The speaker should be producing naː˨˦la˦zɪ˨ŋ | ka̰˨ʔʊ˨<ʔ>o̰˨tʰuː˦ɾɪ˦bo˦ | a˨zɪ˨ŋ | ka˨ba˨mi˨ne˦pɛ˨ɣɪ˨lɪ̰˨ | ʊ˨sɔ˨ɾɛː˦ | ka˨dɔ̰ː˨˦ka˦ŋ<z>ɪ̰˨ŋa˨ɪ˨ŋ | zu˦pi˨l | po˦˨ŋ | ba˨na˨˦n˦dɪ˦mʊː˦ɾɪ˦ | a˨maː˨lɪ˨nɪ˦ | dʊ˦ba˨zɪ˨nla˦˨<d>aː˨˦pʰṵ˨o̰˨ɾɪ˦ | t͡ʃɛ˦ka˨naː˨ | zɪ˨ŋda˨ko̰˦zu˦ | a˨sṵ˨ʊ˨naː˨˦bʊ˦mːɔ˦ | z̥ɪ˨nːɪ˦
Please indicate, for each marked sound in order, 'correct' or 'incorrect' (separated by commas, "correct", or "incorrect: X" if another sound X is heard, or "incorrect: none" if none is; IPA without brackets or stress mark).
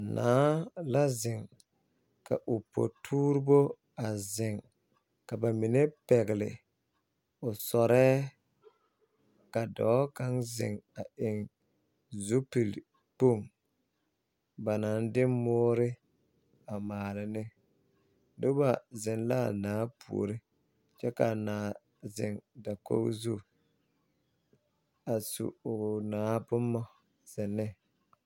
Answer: incorrect: p, correct, incorrect: n